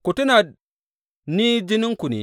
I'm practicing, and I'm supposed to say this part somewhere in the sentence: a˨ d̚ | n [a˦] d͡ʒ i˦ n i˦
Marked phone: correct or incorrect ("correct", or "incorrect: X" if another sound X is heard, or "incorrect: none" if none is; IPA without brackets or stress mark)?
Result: incorrect: i˦